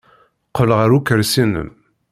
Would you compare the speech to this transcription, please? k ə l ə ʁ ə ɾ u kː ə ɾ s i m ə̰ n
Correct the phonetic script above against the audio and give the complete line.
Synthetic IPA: q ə l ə ʁ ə ɾ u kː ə ɾ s i n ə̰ m